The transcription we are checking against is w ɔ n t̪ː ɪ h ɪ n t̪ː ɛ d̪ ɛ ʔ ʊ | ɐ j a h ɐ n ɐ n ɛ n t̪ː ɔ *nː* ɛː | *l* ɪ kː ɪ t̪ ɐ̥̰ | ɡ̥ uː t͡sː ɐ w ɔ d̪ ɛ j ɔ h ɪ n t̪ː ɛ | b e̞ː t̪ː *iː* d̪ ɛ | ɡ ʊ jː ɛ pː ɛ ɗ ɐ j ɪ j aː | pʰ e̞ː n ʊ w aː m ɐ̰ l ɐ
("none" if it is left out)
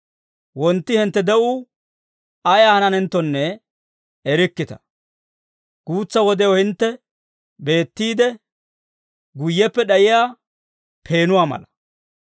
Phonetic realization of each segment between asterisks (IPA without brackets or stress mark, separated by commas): nː, ɾ, iː